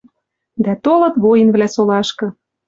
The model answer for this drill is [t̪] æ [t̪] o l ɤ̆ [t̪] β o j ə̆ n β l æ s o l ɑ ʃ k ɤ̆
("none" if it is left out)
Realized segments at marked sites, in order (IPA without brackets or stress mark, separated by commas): d̪, t̪, t̪